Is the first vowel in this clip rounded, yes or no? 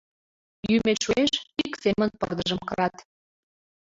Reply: yes